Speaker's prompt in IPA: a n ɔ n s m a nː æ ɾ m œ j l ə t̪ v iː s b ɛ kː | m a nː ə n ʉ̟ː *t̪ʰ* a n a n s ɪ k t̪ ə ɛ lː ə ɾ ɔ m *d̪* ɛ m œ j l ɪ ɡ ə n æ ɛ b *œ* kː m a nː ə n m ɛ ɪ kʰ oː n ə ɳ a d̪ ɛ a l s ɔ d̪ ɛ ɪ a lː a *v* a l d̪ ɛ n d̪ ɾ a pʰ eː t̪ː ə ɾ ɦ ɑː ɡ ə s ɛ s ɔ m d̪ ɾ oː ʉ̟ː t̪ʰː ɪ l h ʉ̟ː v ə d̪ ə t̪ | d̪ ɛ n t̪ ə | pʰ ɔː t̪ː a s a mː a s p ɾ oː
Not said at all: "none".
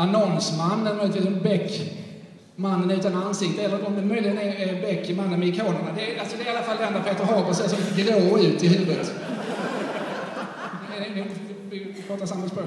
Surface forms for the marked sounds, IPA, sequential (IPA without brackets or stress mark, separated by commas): t̪, d̪, ɛ, f